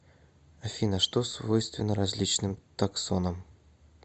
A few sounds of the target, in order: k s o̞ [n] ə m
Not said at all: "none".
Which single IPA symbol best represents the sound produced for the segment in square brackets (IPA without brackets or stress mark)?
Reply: n